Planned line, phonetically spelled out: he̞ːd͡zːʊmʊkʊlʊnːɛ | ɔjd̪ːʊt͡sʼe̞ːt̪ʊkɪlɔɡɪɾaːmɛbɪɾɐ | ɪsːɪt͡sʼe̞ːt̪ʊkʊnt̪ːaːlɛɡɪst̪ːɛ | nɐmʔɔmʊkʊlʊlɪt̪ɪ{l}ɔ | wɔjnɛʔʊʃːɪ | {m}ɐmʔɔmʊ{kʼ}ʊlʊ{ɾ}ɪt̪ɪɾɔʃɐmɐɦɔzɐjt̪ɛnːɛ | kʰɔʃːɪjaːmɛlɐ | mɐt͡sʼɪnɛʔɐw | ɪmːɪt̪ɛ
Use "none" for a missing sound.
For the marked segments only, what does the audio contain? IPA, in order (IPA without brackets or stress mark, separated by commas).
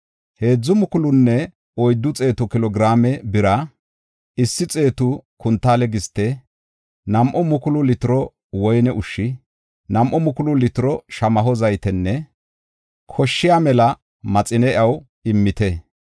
ɾ, n, k, l